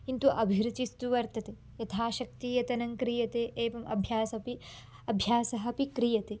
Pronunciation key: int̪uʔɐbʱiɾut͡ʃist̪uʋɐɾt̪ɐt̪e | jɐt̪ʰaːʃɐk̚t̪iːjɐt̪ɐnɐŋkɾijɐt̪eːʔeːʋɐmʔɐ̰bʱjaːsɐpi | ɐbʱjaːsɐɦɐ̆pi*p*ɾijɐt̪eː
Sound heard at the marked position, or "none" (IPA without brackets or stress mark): k